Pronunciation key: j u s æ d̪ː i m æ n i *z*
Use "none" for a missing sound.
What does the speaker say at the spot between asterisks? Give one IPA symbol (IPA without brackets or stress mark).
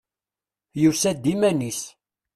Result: s